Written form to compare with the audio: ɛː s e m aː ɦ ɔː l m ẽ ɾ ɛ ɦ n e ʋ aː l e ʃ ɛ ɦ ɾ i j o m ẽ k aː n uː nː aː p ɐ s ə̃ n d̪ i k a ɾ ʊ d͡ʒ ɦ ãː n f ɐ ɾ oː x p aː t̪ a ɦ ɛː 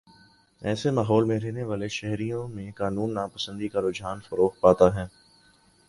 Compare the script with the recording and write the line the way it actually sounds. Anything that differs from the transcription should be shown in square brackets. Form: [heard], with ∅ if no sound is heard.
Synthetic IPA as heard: ɛː s e m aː ɦ ɔː l m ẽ ɾ ɛ ɦ n e ʋ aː l e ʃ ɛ ɦ ɾ i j [õ] m ẽ k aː n uː nː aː p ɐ s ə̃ n d̪ i k a ɾ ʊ d͡ʒ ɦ [aː] n f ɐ ɾ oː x p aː t̪ a ɦ ɛː